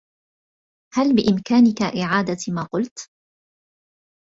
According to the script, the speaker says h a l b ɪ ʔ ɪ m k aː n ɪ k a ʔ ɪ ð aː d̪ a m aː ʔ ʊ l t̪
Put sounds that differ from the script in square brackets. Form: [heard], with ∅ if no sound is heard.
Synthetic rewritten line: h a l b ɪ ʔ ɪ m k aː n ɪ k a ʔ ɪ [ʕ] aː d̪ a m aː [q] ʊ l t̪